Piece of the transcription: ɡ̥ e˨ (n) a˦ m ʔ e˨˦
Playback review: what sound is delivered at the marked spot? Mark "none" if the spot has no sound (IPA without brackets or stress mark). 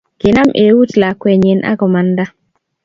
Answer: n